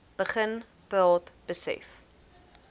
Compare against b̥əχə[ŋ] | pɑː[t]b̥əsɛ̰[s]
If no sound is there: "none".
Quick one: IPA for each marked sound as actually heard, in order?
n, t, f

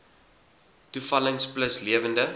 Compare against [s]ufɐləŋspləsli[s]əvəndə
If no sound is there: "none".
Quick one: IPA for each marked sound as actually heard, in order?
t, none

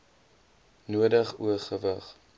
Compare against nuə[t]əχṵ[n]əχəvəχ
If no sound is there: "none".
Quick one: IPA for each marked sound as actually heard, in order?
d, none

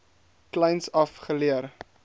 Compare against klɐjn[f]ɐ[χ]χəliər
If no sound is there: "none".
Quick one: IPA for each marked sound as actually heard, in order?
s, f

